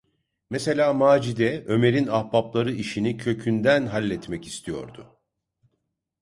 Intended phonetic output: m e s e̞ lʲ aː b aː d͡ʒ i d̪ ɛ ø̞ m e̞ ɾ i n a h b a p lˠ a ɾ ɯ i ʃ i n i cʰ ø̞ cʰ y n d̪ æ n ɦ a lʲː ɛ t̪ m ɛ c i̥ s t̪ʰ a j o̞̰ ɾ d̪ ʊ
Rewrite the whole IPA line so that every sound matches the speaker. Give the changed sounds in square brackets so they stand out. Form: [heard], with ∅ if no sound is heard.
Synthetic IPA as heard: m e s e̞ lʲ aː [m] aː d͡ʒ i d̪ ɛ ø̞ m e̞ ɾ i n a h b a p lˠ a ɾ ɯ i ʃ i n i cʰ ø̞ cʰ y n d̪ æ n ɦ a lʲː ɛ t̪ m ɛ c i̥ s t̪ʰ [i] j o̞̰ ɾ d̪ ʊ